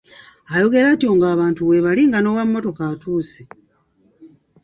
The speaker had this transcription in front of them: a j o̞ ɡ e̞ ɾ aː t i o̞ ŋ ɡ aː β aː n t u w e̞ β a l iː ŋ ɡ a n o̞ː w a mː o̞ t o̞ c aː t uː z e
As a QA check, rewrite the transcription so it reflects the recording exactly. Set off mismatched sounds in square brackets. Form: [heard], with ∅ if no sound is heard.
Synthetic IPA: a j o̞ ɡ e̞ ɾ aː t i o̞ ŋ ɡ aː β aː n t u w e̞ β a l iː ŋ ɡ a n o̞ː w a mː o̞ t o̞ [k] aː t uː [s] e